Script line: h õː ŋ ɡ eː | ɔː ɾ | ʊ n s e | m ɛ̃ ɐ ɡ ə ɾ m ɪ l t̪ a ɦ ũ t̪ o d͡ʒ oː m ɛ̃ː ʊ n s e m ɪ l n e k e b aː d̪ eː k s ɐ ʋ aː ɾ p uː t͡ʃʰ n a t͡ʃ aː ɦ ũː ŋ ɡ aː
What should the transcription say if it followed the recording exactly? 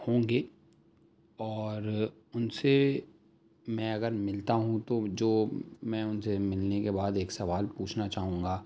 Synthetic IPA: h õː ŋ ɡ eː | ɔː ɾ | ʊ n s e | m ɛ̃ ɐ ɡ ə ɾ m ɪ l t̪ a ɦ ũ t̪ o d͡ʒ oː m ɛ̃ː ʊ n s e m ɪ l n e k e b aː d̪ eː k s ɐ ʋ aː l p uː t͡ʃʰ n a t͡ʃ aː ɦ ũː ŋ ɡ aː